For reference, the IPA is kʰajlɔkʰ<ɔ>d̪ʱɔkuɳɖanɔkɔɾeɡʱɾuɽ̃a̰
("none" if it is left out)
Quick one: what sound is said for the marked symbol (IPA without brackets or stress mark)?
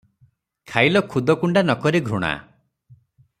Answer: u